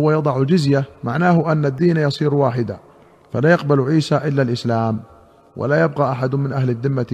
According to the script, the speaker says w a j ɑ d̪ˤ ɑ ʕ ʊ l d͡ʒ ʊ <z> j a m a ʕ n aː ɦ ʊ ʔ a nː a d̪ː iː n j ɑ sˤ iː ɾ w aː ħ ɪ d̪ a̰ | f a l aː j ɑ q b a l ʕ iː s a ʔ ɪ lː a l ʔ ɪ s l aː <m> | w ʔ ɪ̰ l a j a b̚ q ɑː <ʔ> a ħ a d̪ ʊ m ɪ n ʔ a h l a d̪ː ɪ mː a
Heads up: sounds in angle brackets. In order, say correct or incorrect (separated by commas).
correct, correct, correct